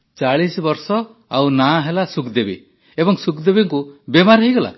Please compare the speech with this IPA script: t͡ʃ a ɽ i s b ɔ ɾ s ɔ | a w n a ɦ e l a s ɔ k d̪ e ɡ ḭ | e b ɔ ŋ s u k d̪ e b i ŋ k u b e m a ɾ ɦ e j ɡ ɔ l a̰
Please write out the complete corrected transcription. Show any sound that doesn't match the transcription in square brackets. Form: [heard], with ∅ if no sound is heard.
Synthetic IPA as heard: t͡ʃ a [ɭ] i s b ɔ ɾ s ɔ | a w n a ɦ e l a s [u] k d̪ e [b] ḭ | e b ɔ ŋ s u k d̪ e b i ŋ k u b e m a ɾ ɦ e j ɡ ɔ l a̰